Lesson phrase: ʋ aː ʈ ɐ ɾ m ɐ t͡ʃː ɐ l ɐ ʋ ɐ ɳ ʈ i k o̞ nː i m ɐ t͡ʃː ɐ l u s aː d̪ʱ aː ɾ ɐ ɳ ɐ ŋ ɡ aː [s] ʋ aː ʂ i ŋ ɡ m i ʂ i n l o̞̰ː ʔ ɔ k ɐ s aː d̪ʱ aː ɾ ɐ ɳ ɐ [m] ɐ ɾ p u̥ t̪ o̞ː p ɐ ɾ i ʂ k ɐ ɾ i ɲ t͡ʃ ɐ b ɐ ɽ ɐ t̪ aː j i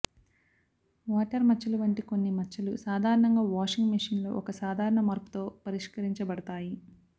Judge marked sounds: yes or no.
no, yes

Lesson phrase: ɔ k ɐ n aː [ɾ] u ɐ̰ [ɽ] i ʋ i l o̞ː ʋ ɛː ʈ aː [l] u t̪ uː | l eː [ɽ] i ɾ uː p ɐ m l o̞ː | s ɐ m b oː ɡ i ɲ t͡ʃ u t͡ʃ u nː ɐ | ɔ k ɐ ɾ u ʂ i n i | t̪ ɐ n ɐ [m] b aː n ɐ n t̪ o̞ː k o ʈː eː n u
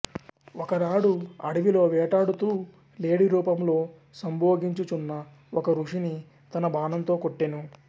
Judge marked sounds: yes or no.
no, yes, no, yes, no

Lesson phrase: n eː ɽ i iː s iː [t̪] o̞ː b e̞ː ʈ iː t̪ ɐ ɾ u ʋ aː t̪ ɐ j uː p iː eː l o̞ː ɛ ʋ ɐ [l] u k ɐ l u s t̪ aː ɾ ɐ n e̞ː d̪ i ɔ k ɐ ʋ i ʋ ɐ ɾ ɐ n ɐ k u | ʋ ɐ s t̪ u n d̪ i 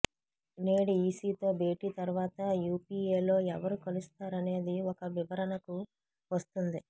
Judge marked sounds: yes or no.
yes, no

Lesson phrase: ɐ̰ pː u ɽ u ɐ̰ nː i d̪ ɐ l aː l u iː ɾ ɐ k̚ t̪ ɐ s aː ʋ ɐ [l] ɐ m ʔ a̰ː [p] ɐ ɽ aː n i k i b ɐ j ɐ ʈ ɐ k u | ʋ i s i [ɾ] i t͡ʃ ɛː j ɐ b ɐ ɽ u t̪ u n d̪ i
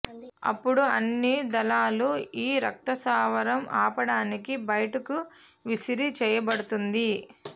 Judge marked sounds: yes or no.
no, yes, yes

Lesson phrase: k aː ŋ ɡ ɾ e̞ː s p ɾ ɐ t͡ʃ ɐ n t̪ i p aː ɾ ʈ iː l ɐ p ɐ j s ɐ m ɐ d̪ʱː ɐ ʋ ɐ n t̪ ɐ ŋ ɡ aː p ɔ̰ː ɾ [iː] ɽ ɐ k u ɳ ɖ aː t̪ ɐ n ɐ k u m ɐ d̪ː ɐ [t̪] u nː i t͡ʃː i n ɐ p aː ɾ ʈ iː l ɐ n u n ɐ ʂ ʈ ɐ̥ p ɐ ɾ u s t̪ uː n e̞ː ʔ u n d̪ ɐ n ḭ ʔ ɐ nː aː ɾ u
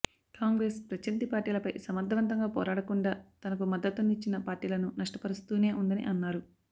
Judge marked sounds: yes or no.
no, yes

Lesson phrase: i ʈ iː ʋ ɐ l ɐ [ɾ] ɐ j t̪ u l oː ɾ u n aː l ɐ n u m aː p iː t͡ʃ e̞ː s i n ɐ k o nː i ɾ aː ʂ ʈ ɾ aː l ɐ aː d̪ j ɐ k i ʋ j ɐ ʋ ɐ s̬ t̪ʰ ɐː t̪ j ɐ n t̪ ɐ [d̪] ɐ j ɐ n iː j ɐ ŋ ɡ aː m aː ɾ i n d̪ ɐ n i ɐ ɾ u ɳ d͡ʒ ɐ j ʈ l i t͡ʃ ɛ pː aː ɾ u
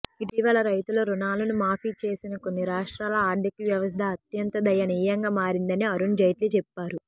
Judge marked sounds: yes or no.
yes, yes

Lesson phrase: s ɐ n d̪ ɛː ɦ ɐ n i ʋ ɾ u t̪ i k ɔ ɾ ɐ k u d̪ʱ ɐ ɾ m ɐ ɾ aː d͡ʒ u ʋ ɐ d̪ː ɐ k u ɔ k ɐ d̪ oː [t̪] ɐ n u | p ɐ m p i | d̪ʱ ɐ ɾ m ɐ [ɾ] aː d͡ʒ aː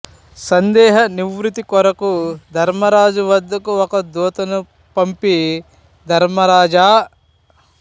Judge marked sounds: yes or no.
yes, yes

